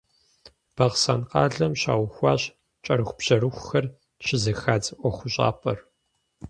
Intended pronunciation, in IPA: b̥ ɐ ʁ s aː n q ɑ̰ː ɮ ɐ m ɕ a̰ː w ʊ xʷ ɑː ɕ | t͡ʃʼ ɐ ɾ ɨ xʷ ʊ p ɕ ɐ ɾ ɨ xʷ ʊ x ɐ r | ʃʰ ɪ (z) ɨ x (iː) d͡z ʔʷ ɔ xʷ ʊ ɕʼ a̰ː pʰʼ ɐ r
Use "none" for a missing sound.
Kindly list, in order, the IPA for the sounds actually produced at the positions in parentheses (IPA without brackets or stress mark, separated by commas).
z, aː